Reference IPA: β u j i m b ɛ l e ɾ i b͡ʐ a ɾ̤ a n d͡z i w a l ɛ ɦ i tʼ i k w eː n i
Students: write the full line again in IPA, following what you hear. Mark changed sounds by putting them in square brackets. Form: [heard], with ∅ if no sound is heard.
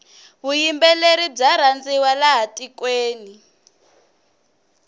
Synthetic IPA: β u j i m b ɛ l e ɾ i b͡ʐ a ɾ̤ a n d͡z i w a l [a] ɦ [a] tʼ i k w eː n i

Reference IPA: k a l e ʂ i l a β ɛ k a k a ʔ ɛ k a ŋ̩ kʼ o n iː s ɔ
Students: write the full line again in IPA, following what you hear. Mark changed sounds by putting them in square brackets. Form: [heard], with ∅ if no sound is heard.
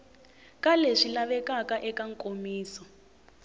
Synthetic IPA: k a l e ʂ i l a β ɛ k a k a ʔ ɛ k a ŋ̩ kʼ o [m] iː s ɔ

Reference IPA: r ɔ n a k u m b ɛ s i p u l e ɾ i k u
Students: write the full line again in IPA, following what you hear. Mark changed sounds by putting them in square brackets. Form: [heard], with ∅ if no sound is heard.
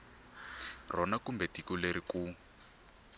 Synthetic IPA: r ɔ n a k u m b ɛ [t] i [k] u l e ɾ i k u

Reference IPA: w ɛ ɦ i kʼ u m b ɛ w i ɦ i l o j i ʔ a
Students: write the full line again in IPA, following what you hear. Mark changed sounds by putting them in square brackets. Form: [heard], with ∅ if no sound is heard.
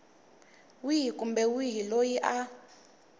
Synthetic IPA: w [i] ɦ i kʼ u m b ɛ w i ɦ i l o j i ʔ a

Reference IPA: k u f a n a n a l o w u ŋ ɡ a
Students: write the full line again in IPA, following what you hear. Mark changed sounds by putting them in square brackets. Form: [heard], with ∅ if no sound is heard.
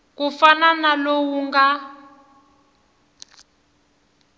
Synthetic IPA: k u f a n a n a l o w u ŋ ɡ a

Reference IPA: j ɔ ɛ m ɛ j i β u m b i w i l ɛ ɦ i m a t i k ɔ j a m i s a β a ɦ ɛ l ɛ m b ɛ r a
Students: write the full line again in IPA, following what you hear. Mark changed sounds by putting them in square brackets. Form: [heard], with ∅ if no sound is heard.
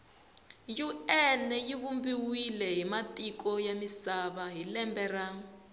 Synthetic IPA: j [u] ɛ [n] ɛ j i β u m b i w i l ɛ ɦ i m a t i k ɔ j a m i s a β a ɦ [i] l ɛ m b ɛ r a

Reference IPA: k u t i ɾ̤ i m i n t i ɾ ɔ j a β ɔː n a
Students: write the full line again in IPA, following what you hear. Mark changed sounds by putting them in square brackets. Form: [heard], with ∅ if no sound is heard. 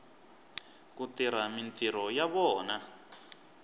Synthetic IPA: k u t i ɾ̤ [a] m i n t i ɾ ɔ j a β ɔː n a

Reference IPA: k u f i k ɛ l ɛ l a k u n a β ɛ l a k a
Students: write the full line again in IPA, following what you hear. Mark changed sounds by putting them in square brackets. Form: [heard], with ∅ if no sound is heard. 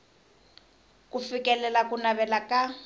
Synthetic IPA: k u f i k ɛ l ɛ l a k u n a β ɛ l a k a

